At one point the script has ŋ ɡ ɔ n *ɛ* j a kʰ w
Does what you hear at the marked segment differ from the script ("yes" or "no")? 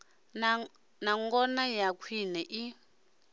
yes